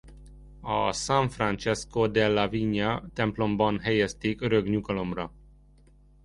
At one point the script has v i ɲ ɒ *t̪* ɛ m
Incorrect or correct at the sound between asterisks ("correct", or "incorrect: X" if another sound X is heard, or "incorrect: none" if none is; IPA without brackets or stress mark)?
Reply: correct